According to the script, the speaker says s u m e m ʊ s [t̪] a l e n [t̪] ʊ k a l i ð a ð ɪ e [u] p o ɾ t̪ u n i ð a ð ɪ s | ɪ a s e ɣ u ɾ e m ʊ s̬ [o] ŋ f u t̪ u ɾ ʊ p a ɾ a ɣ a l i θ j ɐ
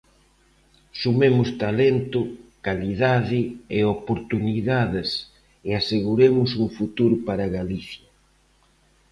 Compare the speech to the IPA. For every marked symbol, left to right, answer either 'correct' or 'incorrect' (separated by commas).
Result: correct, correct, incorrect, incorrect